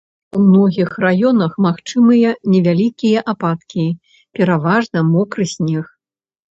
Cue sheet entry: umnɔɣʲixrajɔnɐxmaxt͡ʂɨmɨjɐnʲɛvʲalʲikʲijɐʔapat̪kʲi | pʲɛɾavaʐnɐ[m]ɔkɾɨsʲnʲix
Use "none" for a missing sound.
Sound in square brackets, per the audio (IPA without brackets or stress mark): m